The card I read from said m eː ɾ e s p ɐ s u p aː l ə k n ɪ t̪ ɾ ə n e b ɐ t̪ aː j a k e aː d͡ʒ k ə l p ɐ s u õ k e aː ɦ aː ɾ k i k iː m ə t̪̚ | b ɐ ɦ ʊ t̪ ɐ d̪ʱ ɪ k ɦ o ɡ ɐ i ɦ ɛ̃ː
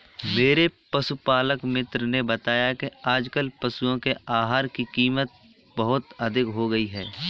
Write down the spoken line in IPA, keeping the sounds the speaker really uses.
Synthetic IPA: m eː ɾ e p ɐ s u p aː l ə k m ɪ t̪ ɾ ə n e b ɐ t̪ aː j a k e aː d͡ʒ k ə l p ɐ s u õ k e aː ɦ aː ɾ k i k iː m ə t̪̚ | b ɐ ɦ ʊ t̪ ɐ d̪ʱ ɪ k ɦ o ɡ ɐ i ɦ ɛː